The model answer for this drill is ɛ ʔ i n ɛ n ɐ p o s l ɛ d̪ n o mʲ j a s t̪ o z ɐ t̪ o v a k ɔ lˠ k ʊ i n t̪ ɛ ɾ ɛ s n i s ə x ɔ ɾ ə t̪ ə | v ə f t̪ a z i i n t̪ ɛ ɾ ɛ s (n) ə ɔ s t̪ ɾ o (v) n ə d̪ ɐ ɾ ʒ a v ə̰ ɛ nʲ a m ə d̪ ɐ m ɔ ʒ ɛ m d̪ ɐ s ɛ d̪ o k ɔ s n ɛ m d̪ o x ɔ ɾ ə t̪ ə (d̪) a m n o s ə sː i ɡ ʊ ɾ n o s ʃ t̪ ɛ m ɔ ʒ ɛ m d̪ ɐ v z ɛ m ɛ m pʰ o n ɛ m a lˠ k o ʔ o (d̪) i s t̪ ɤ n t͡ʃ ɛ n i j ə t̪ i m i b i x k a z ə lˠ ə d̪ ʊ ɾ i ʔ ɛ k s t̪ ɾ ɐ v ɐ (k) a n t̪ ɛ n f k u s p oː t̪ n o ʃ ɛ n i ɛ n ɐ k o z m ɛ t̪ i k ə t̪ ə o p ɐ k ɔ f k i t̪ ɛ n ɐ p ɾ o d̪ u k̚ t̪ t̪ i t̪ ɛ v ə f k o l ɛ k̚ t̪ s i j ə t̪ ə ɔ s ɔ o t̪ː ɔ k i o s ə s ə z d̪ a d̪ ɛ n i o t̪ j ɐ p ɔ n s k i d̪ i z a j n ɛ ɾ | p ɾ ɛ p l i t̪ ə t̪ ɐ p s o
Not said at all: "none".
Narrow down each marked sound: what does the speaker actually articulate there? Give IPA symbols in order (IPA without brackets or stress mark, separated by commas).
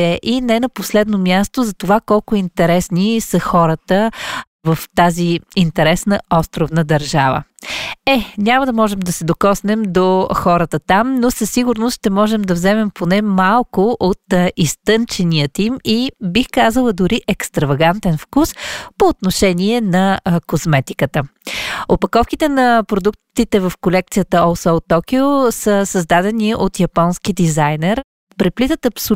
n, v, t̪, t̪, ɡ